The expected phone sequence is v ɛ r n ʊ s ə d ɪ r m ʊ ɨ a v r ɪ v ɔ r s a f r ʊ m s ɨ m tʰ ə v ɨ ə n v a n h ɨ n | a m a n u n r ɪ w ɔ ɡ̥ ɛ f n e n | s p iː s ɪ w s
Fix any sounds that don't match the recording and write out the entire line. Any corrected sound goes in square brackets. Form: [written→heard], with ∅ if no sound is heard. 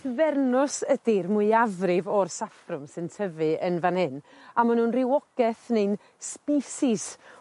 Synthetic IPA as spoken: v ɛ r n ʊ s ə d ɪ r m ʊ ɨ a v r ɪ v ɔ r s a f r ʊ m s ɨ [m→n] tʰ ə v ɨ ə n v a n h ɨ n | a m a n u n r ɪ w ɔ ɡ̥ ɛ [f→θ] n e n | s p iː s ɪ [w→∅] s